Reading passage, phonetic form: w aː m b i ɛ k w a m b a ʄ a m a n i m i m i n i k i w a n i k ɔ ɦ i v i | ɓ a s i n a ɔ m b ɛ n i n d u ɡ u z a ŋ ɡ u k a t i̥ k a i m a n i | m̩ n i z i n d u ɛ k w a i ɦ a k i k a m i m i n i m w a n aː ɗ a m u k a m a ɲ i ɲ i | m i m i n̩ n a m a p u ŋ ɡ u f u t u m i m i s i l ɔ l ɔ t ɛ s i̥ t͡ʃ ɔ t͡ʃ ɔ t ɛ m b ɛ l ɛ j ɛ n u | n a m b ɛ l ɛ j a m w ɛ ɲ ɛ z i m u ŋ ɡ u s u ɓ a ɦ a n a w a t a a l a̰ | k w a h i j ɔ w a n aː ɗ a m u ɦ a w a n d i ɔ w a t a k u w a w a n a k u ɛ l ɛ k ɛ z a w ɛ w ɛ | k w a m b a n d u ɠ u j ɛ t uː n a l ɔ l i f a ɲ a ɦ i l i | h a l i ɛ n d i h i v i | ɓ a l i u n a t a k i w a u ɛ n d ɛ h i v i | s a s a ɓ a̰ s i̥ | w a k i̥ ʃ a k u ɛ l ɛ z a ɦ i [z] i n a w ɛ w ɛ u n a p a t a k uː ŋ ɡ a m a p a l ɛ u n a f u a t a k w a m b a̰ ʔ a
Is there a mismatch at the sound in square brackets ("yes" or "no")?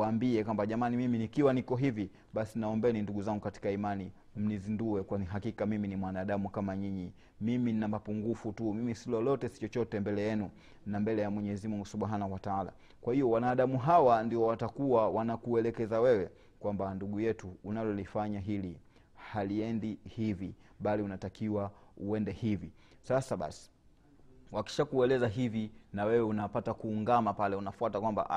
yes